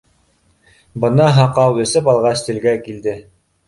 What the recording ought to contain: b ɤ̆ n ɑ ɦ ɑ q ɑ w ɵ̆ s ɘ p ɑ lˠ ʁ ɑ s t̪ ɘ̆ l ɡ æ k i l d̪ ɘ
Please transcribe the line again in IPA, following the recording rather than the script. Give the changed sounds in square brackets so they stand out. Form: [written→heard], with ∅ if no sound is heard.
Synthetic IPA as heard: b ɤ̆ n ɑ ɦ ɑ q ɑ w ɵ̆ s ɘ p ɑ lˠ ʁ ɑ s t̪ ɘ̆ l ɡ æ k i l d̪ ɘ